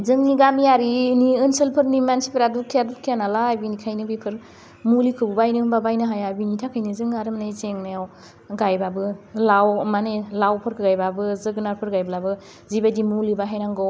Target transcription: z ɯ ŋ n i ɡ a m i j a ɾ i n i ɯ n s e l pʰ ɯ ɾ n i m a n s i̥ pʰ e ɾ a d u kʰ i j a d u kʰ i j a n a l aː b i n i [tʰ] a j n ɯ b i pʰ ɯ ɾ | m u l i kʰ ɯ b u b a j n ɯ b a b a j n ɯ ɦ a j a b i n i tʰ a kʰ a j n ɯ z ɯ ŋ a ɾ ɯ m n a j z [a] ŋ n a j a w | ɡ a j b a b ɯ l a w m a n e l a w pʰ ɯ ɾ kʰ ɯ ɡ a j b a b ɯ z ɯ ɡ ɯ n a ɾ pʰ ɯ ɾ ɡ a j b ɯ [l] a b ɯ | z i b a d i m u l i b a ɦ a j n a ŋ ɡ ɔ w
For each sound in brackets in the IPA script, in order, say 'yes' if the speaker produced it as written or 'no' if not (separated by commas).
no, no, yes